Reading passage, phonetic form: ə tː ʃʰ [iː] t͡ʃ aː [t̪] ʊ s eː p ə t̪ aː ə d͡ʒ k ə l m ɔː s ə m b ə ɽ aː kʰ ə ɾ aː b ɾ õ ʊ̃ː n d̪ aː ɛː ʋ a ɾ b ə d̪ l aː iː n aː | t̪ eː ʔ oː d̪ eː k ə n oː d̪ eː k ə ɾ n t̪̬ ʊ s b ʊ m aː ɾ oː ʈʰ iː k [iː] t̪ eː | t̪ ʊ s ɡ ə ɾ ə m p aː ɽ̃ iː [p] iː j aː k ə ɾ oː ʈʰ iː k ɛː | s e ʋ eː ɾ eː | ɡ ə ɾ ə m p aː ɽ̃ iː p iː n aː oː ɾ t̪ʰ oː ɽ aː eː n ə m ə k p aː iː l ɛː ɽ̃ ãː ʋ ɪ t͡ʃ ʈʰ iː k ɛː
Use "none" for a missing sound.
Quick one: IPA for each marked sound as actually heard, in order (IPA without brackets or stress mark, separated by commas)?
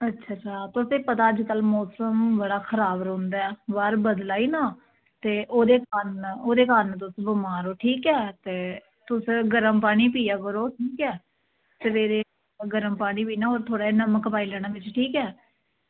aː, t̪, ɛː, p